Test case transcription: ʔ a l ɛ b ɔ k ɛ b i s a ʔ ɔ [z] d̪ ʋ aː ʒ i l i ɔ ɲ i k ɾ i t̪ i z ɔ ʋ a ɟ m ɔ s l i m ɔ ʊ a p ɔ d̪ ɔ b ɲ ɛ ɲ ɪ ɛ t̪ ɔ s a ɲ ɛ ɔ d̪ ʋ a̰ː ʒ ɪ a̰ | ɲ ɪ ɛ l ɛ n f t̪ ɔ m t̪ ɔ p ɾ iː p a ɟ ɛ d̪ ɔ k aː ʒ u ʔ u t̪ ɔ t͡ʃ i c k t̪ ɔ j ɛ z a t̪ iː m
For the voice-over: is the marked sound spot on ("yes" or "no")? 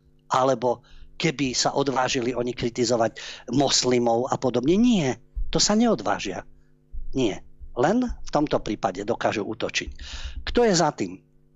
no